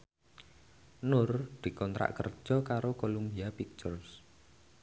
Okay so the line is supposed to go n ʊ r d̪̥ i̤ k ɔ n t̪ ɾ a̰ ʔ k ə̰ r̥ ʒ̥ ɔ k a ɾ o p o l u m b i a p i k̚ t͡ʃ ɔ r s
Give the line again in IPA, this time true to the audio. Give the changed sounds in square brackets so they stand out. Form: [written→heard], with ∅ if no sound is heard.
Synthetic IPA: n ʊ r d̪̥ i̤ k ɔ n t̪ ɾ a̰ ʔ k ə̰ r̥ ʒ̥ ɔ k a ɾ o [p→k] o l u m b i a p i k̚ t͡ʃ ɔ r s